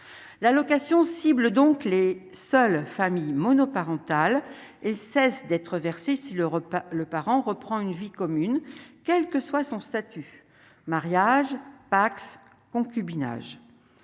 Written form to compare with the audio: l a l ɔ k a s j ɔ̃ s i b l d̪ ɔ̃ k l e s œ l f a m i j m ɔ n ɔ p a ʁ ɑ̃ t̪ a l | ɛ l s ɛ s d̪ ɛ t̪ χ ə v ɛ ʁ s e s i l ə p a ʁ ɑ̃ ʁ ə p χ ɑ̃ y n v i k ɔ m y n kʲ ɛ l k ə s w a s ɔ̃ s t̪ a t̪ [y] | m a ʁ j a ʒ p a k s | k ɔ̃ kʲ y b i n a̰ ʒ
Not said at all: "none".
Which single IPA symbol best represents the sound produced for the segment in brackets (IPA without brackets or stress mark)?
y